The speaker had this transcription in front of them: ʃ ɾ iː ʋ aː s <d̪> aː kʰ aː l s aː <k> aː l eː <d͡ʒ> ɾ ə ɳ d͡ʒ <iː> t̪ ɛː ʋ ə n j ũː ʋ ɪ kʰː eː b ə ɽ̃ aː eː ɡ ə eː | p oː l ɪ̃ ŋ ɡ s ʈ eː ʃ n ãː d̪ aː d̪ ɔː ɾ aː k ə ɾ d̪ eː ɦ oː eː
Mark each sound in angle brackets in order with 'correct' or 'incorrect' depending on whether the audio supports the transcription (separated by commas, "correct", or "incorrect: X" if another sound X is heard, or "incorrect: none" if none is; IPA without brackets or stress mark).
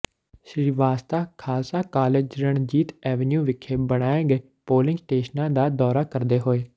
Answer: incorrect: t̪, correct, correct, correct